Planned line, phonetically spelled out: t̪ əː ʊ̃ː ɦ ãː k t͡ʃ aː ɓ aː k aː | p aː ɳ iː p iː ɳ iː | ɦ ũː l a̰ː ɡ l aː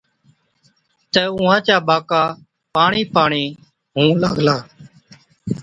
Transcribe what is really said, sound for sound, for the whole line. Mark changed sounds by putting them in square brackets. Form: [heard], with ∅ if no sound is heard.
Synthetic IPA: t̪ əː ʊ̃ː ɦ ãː [∅] t͡ʃ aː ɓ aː k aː | p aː ɳ iː p [aː] ɳ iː | ɦ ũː l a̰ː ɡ l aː